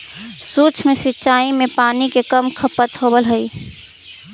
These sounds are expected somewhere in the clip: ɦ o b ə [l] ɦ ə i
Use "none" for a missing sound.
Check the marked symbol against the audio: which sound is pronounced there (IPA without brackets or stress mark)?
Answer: l